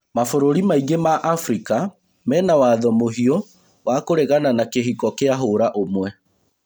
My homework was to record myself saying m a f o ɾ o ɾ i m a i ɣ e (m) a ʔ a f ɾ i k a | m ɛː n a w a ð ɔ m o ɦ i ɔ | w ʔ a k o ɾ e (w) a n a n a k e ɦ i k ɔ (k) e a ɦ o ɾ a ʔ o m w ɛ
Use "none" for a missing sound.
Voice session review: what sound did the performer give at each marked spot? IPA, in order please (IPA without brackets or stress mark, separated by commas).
m, ɣ, k